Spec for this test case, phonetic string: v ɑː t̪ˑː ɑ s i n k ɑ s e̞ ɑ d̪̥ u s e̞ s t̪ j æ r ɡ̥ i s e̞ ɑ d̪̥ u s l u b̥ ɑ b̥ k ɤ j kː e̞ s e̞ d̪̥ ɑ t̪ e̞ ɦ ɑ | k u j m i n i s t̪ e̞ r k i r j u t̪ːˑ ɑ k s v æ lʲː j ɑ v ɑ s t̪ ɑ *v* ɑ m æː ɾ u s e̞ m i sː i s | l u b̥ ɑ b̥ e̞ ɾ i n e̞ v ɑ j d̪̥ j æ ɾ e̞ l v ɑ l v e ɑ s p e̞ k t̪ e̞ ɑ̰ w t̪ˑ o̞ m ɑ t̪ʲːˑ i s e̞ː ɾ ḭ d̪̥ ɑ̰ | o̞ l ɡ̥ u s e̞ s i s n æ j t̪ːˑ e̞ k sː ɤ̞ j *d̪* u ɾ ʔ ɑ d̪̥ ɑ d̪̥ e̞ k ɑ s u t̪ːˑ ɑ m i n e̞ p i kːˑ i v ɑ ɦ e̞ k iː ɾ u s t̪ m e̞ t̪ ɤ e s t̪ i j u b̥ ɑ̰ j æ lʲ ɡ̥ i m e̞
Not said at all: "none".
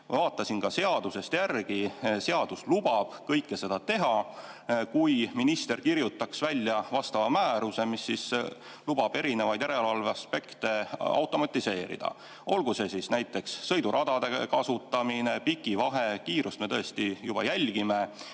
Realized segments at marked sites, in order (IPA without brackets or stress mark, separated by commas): v, d̪